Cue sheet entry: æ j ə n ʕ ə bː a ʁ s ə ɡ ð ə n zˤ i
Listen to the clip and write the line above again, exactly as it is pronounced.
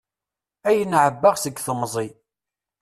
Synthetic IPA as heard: æ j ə n ʕ ə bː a ʁ s ə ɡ θ ə m zˤ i